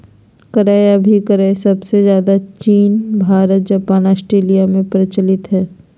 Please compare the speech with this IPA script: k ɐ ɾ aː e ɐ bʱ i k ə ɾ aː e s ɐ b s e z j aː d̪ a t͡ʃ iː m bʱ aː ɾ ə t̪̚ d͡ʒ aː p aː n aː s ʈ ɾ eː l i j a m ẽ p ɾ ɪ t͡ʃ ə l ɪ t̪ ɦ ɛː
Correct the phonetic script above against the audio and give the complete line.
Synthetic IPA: k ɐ ɾ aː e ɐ bʱ i k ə ɾ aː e s ɐ b s e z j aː d̪ a t͡ʃ iː n bʱ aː ɾ ə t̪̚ d͡ʒ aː p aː n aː s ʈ ɾ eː l i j a m ẽ p ɾ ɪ t͡ʃ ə l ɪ t̪ ɦ ɛː